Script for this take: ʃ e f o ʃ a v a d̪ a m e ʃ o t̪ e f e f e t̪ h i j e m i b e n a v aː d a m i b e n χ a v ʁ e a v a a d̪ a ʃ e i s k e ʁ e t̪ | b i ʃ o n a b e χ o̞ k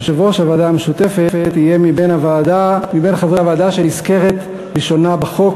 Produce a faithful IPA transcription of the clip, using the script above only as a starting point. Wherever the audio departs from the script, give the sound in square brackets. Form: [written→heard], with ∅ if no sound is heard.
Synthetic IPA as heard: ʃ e [f→v] o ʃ a v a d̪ a m e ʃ [o→u] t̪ e f e f e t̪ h i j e m i b e n a v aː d a m i b e n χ a v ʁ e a v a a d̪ a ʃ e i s k e ʁ e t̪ | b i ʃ o n a b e χ o̞ k